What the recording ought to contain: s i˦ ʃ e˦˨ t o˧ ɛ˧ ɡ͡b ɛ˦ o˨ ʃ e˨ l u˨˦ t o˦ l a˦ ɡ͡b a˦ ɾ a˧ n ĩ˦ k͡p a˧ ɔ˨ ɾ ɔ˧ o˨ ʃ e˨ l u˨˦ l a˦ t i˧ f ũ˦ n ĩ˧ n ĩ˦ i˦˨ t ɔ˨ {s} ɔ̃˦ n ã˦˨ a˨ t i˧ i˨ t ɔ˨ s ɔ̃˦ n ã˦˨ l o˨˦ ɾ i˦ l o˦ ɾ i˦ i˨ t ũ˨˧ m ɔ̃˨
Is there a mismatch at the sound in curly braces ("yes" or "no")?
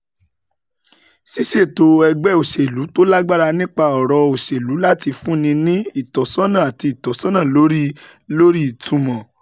no